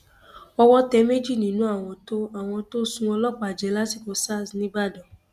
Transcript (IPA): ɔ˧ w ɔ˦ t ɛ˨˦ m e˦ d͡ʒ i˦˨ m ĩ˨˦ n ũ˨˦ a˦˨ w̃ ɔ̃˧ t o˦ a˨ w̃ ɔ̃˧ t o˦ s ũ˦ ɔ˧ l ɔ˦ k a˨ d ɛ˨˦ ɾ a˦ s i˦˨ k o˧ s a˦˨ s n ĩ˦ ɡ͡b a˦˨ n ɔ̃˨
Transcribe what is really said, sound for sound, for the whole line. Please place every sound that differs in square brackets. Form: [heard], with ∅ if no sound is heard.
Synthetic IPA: ɔ˧ w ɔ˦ t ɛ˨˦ m e˦ d͡ʒ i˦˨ [n] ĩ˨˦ n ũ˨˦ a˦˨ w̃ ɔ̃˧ t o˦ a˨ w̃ ɔ̃˧ t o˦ s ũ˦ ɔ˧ l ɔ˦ [k͡p] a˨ [d͡ʒ] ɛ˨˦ [l] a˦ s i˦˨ k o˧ s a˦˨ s n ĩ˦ ɡ͡b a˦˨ [d] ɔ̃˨